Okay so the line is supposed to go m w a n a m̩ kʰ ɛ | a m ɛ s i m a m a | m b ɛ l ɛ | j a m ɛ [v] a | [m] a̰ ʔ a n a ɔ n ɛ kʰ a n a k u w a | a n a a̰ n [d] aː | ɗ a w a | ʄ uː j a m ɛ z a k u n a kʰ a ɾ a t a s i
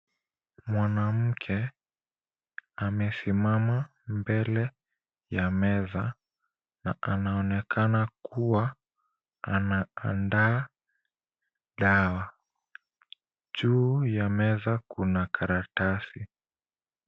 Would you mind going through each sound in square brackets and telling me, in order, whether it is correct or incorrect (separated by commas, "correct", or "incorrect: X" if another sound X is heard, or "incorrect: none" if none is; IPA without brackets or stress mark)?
incorrect: z, incorrect: n, correct